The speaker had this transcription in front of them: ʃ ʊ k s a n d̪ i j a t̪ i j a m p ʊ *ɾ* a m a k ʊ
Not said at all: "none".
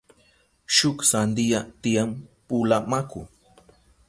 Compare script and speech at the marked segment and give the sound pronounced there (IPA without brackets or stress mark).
l